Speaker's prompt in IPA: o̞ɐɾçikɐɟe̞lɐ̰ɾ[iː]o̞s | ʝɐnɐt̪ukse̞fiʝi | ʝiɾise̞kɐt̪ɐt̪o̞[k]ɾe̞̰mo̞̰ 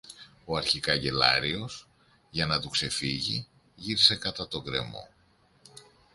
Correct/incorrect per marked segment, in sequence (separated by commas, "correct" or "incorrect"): incorrect, incorrect